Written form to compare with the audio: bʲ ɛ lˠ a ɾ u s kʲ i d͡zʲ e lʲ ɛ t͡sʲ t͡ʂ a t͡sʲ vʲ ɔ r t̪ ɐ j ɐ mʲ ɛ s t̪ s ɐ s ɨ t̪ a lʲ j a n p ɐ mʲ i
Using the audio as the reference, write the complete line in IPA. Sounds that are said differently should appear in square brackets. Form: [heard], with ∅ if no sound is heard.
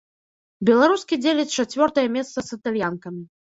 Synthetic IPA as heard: bʲ ɛ lˠ a ɾ u s kʲ i d͡zʲ e lʲ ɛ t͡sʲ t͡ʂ a t͡sʲ vʲ ɔ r t̪ ɐ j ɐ mʲ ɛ s t̪ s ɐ s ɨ t̪ a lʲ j a n [k] ɐ mʲ i